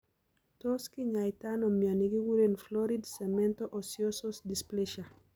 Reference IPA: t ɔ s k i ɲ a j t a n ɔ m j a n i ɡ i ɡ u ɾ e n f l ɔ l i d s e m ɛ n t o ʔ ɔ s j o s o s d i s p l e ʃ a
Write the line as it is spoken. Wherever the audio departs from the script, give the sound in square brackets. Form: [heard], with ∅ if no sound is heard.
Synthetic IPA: t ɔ s k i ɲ a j t a n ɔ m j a n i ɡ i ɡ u ɾ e n f l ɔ [ɾ] i d s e m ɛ n t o ʔ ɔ s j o s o s d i s p l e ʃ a